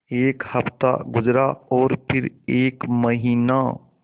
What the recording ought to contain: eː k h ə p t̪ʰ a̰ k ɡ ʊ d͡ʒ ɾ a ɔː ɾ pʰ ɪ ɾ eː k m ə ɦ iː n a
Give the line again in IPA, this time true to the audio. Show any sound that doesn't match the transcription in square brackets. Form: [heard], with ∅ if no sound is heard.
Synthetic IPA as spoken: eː k h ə p [t̪] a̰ [∅] ɡ ʊ d͡ʒ ɾ a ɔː ɾ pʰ ɪ ɾ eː k m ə ɦ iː n a

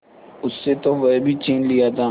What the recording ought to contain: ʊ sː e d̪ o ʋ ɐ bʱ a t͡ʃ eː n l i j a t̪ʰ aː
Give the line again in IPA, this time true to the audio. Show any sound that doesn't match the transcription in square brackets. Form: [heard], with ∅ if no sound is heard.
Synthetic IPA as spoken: ʊ sː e [t̪] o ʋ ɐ bʱ [i] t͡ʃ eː n l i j a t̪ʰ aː

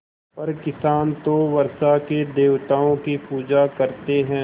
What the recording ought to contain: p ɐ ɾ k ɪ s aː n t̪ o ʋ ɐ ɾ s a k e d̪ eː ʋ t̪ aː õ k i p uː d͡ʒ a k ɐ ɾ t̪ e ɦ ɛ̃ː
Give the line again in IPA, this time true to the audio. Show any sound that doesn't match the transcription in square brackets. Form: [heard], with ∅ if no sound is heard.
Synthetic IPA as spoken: p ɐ ɾ k ɪ s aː n t̪ o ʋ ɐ ɾ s a k e d̪ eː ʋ t̪ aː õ k i p uː d͡ʒ a k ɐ ɾ t̪ e ɦ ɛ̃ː

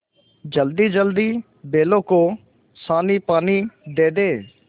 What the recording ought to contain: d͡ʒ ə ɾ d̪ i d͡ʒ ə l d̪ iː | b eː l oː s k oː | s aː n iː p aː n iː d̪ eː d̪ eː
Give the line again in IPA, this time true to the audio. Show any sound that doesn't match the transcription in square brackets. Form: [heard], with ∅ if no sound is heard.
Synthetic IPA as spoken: d͡ʒ ə [l] d̪ [iː] d͡ʒ ə l d̪ iː | b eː l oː [∅] k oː | s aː n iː p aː n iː d̪ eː d̪ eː

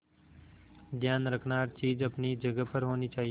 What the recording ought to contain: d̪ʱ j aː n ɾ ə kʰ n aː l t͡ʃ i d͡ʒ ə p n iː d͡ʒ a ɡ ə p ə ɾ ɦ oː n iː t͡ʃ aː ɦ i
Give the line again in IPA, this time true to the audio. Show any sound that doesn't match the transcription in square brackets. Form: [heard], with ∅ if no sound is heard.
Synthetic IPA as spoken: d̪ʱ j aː n ɾ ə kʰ n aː [ɾ] t͡ʃ [iː] d͡ʒ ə p n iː d͡ʒ [ə] ɡ ə p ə ɾ ɦ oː n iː t͡ʃ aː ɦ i

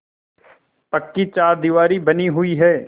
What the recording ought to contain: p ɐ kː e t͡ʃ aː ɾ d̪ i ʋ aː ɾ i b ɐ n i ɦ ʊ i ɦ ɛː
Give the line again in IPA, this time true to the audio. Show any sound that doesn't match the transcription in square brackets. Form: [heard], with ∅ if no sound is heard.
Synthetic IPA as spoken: p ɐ kː [i] t͡ʃ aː ɾ d̪ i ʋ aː ɾ i b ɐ n i ɦ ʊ i ɦ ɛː

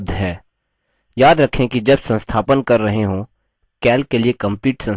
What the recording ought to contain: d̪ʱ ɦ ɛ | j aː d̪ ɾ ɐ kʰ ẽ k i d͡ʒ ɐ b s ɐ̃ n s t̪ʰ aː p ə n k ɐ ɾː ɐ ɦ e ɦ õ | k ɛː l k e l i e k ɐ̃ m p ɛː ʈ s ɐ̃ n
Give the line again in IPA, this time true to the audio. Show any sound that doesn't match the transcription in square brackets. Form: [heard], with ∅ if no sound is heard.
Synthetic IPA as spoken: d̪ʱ ɦ [ɛː] | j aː d̪ ɾ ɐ kʰ ẽ k i d͡ʒ ɐ b s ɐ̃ n s t̪ʰ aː p ə n k ɐ ɾː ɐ ɦ e ɦ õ | k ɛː l k e l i e k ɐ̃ m p [iː] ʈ s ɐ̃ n

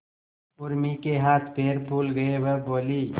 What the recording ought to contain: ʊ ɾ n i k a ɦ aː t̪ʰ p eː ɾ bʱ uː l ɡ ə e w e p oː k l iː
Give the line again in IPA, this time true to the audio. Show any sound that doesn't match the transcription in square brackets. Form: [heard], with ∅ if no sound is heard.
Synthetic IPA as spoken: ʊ ɾ [m] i k [e] ɦ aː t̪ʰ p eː ɾ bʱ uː l ɡ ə e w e [b] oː [∅] l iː

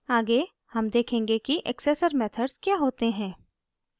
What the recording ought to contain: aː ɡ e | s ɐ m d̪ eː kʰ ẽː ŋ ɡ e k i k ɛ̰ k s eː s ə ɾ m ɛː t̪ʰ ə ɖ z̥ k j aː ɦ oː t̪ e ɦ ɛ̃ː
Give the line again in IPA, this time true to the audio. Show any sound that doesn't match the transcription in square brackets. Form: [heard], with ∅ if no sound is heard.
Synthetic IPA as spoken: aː ɡ e | [h] ɐ m d̪ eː kʰ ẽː ŋ ɡ e k i [ʔ] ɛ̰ k s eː s ə ɾ m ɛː t̪ʰ ə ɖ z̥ k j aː ɦ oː t̪ e ɦ ɛ̃ː

